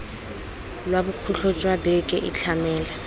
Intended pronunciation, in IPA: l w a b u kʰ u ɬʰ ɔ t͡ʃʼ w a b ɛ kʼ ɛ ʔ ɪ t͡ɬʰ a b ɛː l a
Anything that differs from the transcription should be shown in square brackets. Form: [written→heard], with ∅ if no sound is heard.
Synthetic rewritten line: l w a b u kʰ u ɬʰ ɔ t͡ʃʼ w a b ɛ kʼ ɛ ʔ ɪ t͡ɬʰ a [b→m] ɛː l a